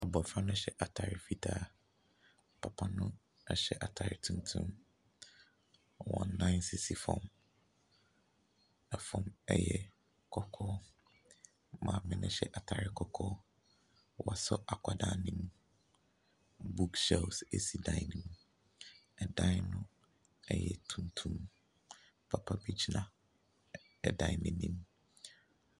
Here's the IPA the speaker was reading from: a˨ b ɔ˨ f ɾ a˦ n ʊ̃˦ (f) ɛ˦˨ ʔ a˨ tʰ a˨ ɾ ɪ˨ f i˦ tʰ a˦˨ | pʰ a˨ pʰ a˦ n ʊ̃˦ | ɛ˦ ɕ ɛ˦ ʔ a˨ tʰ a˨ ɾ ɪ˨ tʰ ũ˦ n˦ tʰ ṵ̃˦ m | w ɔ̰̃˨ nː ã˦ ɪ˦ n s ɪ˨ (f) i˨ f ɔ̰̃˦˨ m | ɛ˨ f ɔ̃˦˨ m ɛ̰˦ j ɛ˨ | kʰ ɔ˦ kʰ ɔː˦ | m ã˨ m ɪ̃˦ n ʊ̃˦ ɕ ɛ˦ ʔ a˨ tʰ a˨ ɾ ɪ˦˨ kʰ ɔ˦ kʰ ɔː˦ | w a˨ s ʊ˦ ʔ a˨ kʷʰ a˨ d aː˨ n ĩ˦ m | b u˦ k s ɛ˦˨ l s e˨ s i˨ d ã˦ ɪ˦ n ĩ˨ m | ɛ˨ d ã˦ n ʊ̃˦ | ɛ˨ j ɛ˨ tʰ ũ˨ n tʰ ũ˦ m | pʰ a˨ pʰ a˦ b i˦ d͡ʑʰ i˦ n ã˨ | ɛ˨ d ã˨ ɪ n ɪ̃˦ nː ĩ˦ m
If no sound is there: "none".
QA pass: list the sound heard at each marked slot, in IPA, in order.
ɕ, s

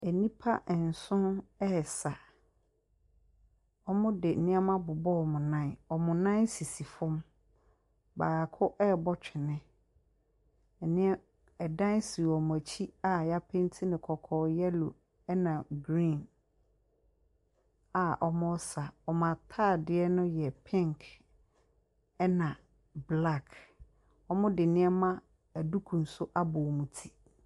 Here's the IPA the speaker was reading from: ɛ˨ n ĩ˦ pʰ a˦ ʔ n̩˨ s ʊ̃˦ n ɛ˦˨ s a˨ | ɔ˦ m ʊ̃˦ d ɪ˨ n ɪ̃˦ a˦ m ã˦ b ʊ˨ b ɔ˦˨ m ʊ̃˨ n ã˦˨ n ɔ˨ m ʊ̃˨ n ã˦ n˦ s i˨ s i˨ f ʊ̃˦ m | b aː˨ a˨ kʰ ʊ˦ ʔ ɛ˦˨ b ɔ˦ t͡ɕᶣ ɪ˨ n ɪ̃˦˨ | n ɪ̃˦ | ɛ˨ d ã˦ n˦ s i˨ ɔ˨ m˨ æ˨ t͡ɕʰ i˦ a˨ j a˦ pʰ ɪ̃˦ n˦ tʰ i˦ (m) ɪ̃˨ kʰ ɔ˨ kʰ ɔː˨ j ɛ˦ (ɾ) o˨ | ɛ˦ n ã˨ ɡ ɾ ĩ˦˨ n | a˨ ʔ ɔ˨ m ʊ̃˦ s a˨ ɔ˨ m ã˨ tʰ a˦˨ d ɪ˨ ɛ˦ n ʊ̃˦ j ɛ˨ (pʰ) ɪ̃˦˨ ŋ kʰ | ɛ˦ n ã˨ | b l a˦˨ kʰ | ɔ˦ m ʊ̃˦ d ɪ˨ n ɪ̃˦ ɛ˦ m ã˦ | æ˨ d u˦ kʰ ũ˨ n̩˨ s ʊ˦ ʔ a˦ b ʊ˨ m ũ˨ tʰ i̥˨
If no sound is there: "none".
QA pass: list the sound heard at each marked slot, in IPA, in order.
n, l, pʰ

